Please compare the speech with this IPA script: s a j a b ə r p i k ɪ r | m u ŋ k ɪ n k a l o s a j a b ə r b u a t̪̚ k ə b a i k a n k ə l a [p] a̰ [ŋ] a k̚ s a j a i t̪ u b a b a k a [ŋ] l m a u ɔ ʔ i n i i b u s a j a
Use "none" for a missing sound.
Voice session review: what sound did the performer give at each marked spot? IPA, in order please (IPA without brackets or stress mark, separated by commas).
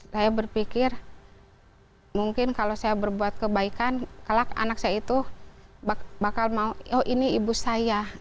k, n, none